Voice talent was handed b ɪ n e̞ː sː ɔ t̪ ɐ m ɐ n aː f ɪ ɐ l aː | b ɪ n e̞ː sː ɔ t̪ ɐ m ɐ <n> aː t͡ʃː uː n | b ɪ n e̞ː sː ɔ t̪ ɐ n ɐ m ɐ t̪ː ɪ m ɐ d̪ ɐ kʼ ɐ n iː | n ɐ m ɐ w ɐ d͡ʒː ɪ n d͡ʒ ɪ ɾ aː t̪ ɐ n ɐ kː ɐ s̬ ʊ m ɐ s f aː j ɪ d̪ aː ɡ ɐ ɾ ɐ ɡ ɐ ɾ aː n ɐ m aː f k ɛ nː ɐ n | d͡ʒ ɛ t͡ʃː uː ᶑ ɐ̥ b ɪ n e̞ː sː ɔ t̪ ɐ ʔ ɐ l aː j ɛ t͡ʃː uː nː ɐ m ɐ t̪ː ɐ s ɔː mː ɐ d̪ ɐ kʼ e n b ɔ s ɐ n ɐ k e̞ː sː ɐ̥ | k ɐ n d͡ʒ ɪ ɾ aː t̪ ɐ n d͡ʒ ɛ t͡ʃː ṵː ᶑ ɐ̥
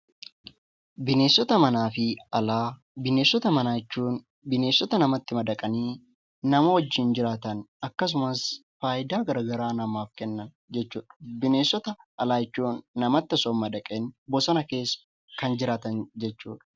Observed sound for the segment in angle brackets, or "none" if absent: n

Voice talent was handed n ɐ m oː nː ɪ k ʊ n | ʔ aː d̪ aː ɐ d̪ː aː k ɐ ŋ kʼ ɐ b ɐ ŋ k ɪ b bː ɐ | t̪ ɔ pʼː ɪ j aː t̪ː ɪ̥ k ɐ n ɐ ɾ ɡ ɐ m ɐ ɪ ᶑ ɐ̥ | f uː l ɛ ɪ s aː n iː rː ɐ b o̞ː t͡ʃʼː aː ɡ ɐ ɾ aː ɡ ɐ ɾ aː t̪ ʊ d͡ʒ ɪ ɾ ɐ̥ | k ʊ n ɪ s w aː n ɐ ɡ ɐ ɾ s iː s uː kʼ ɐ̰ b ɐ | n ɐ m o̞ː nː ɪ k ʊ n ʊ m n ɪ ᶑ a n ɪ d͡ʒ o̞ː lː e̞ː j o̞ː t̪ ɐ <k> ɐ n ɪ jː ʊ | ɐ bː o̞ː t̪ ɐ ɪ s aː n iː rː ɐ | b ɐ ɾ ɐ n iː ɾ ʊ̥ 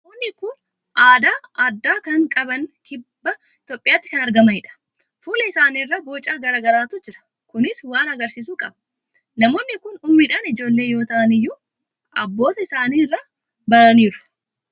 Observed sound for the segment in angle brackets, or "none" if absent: ʔ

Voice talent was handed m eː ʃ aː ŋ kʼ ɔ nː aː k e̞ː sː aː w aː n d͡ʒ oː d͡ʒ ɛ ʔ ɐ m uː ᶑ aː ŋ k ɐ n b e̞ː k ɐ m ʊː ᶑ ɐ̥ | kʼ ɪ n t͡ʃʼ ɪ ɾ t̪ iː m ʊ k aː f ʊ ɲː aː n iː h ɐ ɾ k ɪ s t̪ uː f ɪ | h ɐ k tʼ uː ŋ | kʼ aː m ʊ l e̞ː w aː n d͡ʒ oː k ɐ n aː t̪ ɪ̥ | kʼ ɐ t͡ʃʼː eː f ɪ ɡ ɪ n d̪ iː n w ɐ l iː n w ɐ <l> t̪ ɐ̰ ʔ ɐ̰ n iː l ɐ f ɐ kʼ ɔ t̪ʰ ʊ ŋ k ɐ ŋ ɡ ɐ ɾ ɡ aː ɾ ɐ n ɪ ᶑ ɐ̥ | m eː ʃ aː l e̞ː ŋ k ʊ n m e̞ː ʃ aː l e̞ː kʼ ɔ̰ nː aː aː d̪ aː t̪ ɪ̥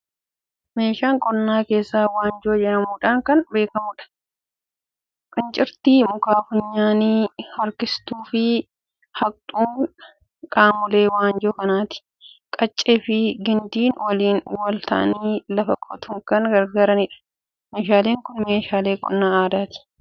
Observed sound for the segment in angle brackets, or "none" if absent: l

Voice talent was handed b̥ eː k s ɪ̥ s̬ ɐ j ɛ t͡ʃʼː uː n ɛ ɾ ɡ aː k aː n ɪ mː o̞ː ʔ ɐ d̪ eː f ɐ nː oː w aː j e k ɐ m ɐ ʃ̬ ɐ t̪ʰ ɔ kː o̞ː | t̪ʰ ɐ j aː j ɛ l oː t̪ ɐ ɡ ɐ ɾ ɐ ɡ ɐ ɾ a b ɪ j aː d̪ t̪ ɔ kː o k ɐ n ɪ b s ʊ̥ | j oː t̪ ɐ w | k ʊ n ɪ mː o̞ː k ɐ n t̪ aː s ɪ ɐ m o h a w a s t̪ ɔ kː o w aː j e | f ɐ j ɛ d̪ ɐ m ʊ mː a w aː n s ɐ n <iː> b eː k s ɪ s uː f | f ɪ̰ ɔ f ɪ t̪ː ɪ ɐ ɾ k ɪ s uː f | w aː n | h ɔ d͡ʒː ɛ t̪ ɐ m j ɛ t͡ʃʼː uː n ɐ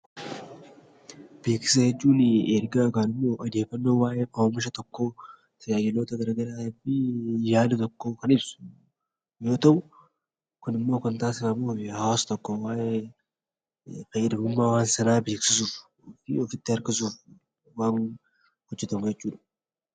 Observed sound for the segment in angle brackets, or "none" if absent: aː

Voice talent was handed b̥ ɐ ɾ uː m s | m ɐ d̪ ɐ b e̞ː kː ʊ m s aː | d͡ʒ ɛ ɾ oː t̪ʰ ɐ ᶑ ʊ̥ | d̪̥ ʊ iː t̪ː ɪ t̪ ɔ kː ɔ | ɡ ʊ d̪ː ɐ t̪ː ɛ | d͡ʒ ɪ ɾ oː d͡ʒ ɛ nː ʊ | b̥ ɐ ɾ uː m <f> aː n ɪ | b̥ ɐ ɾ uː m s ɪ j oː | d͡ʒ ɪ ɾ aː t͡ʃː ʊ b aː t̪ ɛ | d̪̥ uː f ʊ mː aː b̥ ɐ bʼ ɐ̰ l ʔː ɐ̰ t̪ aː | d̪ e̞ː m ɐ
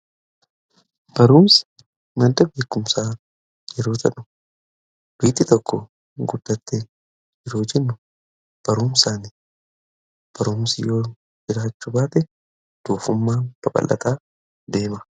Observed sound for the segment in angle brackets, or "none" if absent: s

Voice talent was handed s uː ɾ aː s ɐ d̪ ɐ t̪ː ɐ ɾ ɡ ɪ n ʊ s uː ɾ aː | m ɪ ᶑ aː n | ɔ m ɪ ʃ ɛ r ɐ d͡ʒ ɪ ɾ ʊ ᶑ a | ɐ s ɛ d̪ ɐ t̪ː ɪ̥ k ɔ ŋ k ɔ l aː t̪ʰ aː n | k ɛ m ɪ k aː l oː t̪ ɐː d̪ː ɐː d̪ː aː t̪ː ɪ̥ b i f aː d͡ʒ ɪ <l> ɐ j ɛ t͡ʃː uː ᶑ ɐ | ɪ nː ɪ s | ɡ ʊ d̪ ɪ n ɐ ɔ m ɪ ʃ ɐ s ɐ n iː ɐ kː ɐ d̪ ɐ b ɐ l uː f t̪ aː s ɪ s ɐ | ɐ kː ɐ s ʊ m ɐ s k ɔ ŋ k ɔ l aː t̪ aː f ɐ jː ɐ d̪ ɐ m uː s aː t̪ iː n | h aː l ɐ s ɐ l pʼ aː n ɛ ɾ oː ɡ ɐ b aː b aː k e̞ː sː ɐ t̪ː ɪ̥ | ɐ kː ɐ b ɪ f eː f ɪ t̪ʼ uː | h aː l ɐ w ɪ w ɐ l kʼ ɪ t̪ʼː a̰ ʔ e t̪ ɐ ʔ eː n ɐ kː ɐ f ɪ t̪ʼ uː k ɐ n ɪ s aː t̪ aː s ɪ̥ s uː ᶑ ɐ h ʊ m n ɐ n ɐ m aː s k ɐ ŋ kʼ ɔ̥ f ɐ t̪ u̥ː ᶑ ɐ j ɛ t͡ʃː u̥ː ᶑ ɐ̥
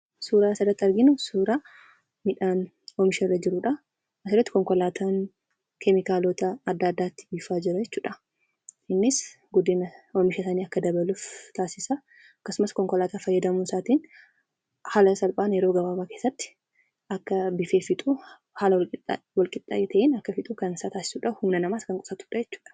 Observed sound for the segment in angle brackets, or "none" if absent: ɾ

